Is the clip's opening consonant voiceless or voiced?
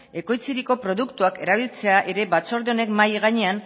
voiceless